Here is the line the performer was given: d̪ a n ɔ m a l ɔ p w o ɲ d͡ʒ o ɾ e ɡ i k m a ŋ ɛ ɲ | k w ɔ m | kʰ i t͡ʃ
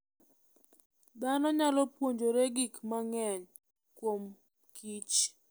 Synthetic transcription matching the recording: d̪ a n ɔ ɲ a l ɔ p w o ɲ d͡ʒ o ɾ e ɡ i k m a ŋ ɛ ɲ | k w o m | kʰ i t͡ʃ

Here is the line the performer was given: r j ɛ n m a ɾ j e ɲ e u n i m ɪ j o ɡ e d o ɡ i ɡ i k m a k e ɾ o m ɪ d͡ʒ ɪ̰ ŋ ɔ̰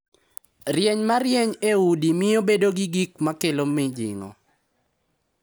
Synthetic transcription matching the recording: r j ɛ ɲ m a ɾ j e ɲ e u d i m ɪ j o b e d o ɡ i ɡ i k m a k e l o m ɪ d͡ʒ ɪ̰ ŋ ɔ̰

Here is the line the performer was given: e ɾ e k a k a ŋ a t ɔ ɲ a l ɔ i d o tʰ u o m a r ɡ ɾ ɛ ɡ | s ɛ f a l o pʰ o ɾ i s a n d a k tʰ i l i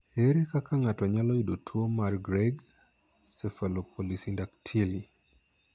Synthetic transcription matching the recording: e ɾ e k a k a ŋ a t ɔ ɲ a l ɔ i d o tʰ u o m a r ɡ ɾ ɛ ɡ | s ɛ f a l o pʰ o l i s i n d a k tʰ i l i

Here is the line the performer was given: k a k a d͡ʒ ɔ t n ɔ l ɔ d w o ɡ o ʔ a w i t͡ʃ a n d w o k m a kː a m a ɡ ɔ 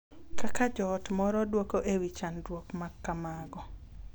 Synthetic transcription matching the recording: k a k a d͡ʒ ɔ t m ɔ ɾ ɔ d w o k o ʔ e w i t͡ʃ a n d w o k m a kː a m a ɡ ɔ

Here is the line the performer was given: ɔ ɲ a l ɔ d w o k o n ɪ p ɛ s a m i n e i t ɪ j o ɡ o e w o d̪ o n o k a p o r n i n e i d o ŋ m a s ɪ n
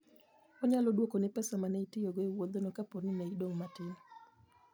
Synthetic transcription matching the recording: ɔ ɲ a l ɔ d w o k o n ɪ p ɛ s a m a n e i t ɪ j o ɡ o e w o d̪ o n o k a p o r n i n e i d o ŋ m a t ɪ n

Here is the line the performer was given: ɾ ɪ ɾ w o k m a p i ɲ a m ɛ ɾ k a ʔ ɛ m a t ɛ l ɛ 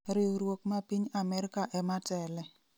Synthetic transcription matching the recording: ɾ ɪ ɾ w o k m a p i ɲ a m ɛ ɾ k a ʔ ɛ m a t ɛ l ɛ

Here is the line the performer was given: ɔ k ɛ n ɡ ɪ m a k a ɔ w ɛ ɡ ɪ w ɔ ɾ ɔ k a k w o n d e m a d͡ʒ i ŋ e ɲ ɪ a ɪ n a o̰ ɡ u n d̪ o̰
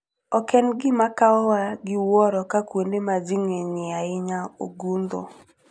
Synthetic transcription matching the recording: ɔ k ɛ n ɡ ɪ m a k a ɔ w a ɡ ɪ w ɔ ɾ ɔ k a k w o n d e m a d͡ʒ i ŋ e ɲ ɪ a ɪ ɲ a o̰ ɡ u n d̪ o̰

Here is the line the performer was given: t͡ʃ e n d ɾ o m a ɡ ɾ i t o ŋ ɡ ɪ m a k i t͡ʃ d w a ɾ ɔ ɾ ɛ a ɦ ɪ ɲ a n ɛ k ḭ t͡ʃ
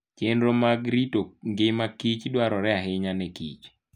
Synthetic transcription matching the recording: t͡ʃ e n d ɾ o m a ɡ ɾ i t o ŋ ɡ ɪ m a k i t͡ʃ d w a ɾ ɔ ɾ ɛ a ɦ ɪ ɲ a n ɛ k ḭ t͡ʃ

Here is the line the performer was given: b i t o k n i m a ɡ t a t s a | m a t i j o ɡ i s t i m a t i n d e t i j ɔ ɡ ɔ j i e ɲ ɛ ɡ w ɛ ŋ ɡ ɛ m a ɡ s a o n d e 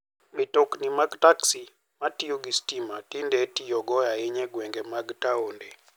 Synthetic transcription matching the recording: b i t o k n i m a ɡ t a k s i | m a t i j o ɡ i s t i m a t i n d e t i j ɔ ɡ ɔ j a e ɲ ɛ ɡ w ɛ ŋ ɡ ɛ m a ɡ t a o n d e

